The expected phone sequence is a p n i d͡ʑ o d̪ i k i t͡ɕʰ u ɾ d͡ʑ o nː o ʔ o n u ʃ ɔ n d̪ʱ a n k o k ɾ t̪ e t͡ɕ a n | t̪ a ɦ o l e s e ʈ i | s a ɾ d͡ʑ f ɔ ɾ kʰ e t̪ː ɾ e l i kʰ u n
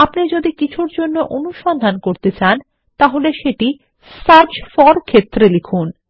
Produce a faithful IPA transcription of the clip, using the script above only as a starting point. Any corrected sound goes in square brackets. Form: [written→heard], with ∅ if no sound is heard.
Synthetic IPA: a p n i d͡ʑ o d̪ i k i t͡ɕʰ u ɾ d͡ʑ o nː o ʔ o n u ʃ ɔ n d̪ʱ a n k o [k→∅] ɾ t̪ e t͡ɕ a n | t̪ a ɦ o l e [s→ʃ] e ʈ i | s a ɾ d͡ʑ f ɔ ɾ kʰ e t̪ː ɾ e l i kʰ u n